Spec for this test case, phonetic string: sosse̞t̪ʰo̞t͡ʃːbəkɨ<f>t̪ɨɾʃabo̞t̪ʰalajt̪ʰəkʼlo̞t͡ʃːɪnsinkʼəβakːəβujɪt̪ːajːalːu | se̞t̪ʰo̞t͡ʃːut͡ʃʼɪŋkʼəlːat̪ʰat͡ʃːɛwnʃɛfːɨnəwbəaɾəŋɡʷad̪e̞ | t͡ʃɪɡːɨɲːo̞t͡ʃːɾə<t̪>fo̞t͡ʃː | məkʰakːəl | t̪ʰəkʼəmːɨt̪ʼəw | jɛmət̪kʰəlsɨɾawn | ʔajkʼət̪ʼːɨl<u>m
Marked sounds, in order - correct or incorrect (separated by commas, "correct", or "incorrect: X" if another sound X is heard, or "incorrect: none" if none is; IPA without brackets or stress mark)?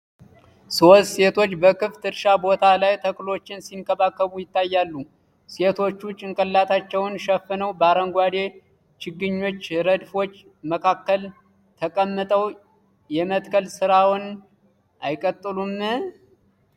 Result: correct, incorrect: d̪, correct